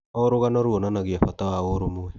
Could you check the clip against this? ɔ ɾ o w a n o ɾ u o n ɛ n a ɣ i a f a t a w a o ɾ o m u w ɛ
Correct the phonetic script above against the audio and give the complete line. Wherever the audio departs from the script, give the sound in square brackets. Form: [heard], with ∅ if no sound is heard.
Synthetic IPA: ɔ ɾ o [ɣ] a n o ɾ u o n [a] n a ɣ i a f a t a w a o ɾ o m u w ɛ